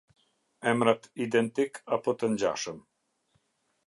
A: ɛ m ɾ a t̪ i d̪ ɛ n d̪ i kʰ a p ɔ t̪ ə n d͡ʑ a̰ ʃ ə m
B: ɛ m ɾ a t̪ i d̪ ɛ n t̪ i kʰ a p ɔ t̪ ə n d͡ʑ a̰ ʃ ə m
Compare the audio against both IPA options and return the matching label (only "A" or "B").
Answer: B